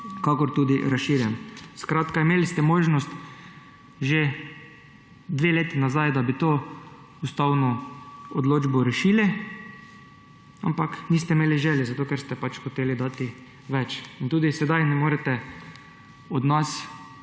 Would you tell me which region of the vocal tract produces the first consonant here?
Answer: velum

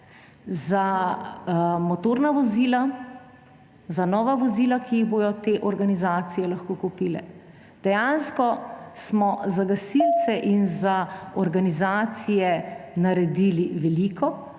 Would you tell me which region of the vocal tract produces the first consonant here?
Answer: tongue tip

